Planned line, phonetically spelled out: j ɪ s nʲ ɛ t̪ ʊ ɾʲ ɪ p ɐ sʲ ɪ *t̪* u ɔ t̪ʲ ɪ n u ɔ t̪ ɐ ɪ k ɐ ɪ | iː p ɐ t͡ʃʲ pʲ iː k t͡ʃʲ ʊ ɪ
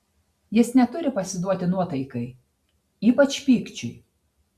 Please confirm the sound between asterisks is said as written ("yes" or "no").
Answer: no